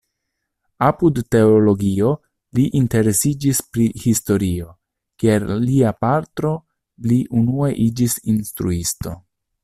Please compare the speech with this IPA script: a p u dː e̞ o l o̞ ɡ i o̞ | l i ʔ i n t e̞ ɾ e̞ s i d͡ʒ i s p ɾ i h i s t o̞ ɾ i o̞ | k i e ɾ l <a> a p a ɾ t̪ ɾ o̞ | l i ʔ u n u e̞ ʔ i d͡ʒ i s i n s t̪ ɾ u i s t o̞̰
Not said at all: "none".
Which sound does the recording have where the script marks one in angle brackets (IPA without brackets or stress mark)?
i